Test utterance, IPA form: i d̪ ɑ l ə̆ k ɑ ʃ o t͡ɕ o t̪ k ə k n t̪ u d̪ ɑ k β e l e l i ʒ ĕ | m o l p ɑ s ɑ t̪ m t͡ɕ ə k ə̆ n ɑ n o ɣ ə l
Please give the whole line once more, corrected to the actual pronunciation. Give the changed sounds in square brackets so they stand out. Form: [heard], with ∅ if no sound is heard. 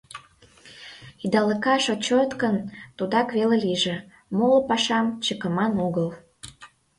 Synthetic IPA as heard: i d̪ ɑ l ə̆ k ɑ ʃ o t͡ɕ o t̪ k ə [∅] n t̪ u d̪ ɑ k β e l e l i ʒ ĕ | m o l p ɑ [ʃ] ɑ [∅] m t͡ɕ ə k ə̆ [m] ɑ n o ɣ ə l